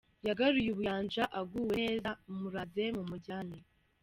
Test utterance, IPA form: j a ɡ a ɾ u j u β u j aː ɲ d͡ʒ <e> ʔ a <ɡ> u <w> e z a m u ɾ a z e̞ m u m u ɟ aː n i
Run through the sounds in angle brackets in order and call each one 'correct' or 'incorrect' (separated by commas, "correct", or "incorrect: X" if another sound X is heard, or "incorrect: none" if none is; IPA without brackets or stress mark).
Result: incorrect: a, correct, correct